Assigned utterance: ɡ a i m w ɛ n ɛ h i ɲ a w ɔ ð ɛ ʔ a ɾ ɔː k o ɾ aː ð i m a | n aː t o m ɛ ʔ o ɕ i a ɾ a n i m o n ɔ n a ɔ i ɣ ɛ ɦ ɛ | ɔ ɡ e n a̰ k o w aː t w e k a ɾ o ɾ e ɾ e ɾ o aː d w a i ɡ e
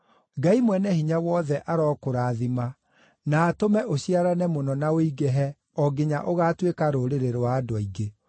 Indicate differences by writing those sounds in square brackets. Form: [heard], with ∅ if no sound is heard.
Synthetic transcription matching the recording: ɡ a i m w ɛ n ɛ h i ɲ a w ɔ ð ɛ ʔ a ɾ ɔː k o ɾ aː ð i m a | n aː t o m ɛ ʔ o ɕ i a ɾ a n [ɛ] m o n ɔ n a [o] i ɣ ɛ ɦ ɛ | ɔ ɡ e [ɲ] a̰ [ʔ] o [ɣ] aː t w e k a ɾ o ɾ e ɾ e ɾ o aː d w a i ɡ e